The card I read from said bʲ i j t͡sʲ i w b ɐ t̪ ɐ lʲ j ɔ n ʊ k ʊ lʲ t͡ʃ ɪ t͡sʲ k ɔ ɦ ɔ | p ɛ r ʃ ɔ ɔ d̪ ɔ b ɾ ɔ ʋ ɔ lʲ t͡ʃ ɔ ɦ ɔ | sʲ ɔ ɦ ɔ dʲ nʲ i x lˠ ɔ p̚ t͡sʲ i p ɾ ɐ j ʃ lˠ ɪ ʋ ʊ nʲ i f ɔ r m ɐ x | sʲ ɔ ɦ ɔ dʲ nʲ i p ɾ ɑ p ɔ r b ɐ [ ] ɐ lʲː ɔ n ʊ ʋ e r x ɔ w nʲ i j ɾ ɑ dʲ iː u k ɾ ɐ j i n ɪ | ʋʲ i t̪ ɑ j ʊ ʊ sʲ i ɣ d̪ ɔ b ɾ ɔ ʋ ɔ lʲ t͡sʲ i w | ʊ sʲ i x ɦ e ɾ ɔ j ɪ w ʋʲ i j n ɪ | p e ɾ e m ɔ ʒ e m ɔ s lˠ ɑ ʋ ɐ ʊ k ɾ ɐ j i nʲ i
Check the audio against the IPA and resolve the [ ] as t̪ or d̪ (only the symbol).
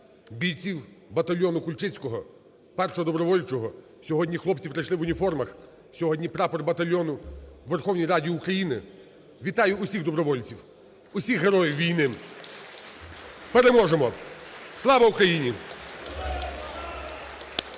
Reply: t̪